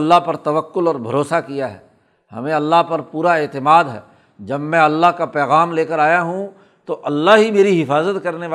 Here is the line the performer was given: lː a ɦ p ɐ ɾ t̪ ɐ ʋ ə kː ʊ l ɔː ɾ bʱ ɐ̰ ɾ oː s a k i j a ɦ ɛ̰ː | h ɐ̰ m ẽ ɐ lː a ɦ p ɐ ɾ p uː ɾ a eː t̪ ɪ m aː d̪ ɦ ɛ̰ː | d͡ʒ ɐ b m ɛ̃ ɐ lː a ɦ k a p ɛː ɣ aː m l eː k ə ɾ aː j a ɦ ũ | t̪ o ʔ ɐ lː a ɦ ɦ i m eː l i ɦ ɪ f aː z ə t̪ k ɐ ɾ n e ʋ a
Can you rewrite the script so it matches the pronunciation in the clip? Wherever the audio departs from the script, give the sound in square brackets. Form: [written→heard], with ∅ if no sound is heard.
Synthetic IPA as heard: lː a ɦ p ɐ ɾ t̪ ɐ ʋ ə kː ʊ l ɔː ɾ bʱ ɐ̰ ɾ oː s a k i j a ɦ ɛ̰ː | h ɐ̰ m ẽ ɐ lː a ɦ p ɐ ɾ p uː ɾ a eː t̪ ɪ m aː d̪ ɦ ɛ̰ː | d͡ʒ ɐ b m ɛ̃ ɐ lː a ɦ k a p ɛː ɣ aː m l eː k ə ɾ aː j a ɦ ũ | t̪ o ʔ ɐ lː a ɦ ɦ i m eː [l→ɾ] i ɦ ɪ f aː z ə t̪ k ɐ ɾ n e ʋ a